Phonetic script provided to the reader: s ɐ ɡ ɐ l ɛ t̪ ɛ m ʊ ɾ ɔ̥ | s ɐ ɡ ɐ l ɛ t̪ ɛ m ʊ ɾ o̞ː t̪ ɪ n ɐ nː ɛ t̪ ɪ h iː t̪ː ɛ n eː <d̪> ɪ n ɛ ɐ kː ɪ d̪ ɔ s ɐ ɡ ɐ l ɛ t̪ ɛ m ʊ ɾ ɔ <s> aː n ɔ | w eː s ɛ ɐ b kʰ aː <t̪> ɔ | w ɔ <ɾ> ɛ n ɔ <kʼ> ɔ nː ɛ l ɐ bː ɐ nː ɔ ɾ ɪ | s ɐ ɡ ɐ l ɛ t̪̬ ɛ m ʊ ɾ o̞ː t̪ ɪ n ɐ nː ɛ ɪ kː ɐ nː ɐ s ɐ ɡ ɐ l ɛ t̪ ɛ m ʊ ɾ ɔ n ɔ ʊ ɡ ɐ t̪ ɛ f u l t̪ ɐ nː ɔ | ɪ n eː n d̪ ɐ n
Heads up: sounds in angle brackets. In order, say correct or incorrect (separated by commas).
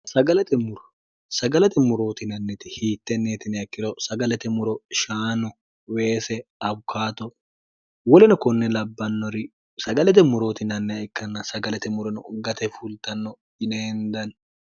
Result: incorrect, incorrect, correct, incorrect, incorrect